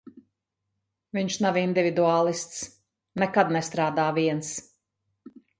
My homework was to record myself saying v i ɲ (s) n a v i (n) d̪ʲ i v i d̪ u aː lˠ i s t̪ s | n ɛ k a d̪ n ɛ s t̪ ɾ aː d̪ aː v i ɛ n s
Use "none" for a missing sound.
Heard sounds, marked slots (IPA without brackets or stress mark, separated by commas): ʃ, n